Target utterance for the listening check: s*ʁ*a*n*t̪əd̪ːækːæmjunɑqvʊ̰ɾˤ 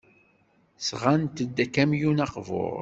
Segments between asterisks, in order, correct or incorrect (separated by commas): correct, correct